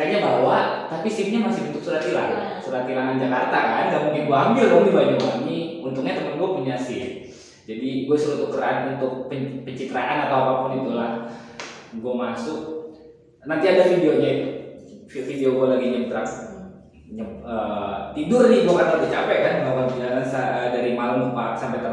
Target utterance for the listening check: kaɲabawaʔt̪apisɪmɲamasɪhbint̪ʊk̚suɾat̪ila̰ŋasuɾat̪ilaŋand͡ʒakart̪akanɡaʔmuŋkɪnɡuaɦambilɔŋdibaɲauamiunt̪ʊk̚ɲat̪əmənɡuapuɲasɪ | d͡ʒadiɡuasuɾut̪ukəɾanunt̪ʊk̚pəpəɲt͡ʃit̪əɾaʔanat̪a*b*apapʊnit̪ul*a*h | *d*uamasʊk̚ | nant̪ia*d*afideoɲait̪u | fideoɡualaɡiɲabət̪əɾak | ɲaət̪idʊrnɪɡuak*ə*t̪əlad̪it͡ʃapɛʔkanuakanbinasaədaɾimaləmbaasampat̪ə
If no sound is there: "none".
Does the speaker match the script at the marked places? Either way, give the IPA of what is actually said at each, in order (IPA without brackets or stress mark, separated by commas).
w, a, ɡ, d, a